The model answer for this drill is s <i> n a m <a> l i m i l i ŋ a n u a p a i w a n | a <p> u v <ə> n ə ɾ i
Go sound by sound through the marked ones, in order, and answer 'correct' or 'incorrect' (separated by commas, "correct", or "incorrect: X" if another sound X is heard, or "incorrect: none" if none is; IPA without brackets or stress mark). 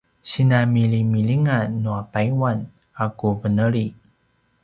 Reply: correct, incorrect: i, incorrect: k, correct